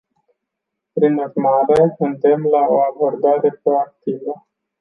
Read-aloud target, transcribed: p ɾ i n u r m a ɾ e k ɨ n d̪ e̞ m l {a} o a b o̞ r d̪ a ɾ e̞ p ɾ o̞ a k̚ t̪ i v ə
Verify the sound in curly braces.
correct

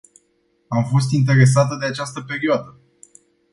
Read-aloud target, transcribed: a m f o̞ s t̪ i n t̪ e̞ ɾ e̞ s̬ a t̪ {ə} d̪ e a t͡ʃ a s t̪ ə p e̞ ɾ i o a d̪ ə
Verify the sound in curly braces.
correct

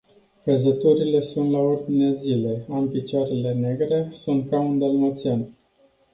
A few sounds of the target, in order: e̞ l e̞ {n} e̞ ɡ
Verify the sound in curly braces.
correct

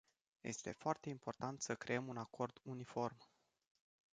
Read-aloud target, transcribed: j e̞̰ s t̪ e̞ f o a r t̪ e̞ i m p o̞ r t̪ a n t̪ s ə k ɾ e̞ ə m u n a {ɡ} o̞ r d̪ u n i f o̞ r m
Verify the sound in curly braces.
incorrect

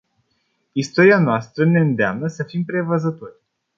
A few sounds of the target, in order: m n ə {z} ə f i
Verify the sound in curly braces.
incorrect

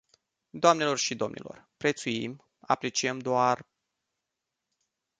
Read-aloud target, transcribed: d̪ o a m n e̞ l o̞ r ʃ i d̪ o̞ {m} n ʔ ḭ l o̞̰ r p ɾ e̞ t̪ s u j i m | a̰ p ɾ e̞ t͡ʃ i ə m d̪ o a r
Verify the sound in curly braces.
correct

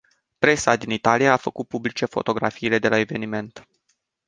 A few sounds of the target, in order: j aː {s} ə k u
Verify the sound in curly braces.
incorrect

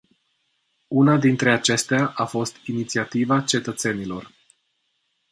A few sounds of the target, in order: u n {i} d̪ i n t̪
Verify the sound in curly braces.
incorrect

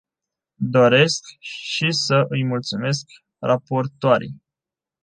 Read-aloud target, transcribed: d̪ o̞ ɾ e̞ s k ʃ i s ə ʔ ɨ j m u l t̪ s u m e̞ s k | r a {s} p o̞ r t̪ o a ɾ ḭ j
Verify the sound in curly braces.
incorrect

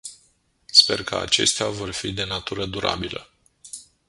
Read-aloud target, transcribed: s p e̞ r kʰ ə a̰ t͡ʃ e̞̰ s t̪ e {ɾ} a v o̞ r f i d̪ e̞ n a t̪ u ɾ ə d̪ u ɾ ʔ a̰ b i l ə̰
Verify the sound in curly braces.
incorrect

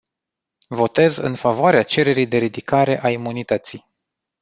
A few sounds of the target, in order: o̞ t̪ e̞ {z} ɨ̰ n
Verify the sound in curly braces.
correct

